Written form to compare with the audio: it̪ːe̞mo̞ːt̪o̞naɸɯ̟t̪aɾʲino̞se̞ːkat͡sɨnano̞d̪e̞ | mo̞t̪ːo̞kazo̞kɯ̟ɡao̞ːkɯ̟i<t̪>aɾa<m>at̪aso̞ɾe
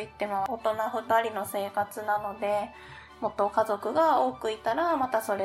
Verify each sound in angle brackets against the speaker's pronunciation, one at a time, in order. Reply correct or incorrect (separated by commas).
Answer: correct, correct